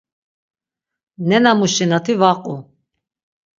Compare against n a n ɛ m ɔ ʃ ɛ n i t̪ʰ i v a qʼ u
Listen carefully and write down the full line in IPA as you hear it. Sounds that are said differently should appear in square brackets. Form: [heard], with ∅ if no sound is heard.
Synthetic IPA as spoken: n [ɛ] n [a] m [u] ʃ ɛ n [a] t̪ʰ i v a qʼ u